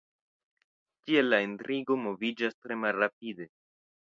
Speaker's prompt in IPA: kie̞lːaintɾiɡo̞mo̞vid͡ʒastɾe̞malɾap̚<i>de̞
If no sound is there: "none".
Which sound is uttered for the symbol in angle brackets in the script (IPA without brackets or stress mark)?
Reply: i